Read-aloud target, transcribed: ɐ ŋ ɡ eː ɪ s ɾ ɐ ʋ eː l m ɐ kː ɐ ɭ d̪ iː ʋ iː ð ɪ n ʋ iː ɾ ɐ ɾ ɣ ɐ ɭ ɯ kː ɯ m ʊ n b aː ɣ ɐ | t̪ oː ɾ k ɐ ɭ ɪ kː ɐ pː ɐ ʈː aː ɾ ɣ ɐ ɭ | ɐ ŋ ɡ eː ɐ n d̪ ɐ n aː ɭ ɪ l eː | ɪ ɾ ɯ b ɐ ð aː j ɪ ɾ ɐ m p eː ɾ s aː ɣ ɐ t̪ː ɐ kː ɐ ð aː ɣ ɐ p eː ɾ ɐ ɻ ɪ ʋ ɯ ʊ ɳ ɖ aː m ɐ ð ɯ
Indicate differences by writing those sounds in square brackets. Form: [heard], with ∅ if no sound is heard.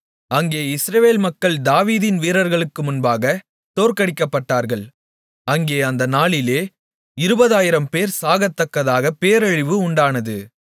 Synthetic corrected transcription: ɐ ŋ ɡ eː ɪ s ɾ ɐ ʋ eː l m ɐ kː ɐ ɭ d̪ [aː] ʋ iː ð ɪ n ʋ iː ɾ ɐ ɾ ɣ ɐ ɭ ɯ kː ɯ m ʊ n b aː ɣ ɐ | t̪ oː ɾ k ɐ [ɽ] ɪ kː ɐ pː ɐ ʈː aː ɾ ɣ ɐ ɭ | ɐ ŋ ɡ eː ɐ n d̪ ɐ n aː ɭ ɪ l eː | ɪ ɾ ɯ b ɐ ð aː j ɪ ɾ ɐ m p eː ɾ s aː ɣ ɐ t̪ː ɐ kː ɐ ð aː ɣ ɐ p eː ɾ ɐ ɻ ɪ ʋ ɯ ʊ ɳ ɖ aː [n] ɐ ð ɯ

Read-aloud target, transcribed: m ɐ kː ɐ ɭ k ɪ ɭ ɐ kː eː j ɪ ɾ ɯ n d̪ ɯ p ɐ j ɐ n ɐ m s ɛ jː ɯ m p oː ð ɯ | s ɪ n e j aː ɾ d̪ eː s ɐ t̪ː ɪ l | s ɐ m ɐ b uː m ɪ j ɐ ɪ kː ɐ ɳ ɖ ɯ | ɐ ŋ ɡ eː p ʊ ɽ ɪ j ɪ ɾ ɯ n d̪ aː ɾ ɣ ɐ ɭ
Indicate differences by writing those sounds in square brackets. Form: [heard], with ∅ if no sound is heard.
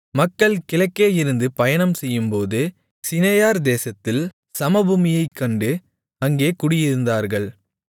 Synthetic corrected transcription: m ɐ kː ɐ ɭ k ɪ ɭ ɐ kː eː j ɪ ɾ ɯ n d̪ ɯ p ɐ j ɐ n ɐ m s ɛ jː ɯ m p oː ð ɯ | s ɪ n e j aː ɾ d̪ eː s ɐ t̪ː ɪ l | s ɐ m ɐ b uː m ɪ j ɐ ɪ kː ɐ ɳ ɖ ɯ | ɐ ŋ ɡ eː [k] ʊ ɽ ɪ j ɪ ɾ ɯ n d̪ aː ɾ ɣ ɐ ɭ

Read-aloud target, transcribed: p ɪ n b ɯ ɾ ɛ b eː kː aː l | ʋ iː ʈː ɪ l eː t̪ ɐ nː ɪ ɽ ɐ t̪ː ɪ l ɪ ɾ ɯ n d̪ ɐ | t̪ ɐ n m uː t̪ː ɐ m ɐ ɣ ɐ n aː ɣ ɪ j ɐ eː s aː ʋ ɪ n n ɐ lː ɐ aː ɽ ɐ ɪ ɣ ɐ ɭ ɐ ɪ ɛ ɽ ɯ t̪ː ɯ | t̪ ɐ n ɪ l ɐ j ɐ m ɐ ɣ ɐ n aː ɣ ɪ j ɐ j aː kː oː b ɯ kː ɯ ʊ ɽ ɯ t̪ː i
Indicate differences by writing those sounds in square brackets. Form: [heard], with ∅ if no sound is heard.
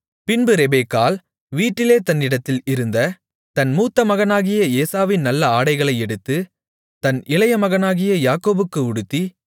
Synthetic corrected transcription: p ɪ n b ɯ ɾ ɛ b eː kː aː l | ʋ iː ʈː ɪ l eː t̪ ɐ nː ɪ ɽ ɐ t̪ː ɪ l ɪ ɾ ɯ n d̪ ɐ | t̪ ɐ n m uː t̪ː ɐ m ɐ ɣ ɐ n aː ɣ ɪ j ɐ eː s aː ʋ ɪ n n ɐ lː ɐ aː ɽ ɐ ɪ ɣ ɐ ɭ ɐ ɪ ɛ ɽ ɯ t̪ː ɯ | t̪ ɐ n ɪ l ɐ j ɐ m ɐ ɣ ɐ n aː ɣ ɪ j ɐ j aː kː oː b ɯ kː ɯ ʊ ɽ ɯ t̪ː i

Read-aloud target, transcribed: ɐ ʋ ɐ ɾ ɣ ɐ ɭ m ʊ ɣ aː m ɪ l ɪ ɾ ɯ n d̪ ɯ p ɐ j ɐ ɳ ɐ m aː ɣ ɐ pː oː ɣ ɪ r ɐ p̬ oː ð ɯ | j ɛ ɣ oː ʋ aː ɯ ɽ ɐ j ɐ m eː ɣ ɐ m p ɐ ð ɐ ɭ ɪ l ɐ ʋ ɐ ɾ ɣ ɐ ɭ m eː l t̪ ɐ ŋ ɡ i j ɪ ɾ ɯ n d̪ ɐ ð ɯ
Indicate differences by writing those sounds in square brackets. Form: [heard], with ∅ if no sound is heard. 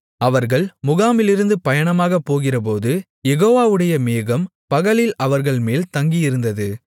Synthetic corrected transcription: ɐ ʋ ɐ ɾ ɣ ɐ ɭ m ʊ ɣ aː m ɪ l ɪ ɾ ɯ n d̪ ɯ p ɐ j ɐ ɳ ɐ m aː ɣ ɐ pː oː ɣ ɪ r ɐ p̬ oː ð ɯ | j ɛ ɣ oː ʋ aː ɯ ɽ ɐ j ɐ m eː ɣ ɐ m p ɐ [ɣ] ɐ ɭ ɪ l ɐ ʋ ɐ ɾ ɣ ɐ ɭ m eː l t̪ ɐ ŋ ɡ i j ɪ ɾ ɯ n d̪ ɐ ð ɯ

